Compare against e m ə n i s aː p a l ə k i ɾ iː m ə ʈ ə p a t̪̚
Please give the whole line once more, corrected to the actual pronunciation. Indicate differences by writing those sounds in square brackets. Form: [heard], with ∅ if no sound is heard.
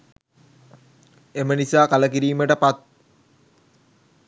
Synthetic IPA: e m ə n i s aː [k] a l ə k i ɾ iː m ə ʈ ə p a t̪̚